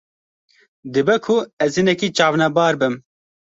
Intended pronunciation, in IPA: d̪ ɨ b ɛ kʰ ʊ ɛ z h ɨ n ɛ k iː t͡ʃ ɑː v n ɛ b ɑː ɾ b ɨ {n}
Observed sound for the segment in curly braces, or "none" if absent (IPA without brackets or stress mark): m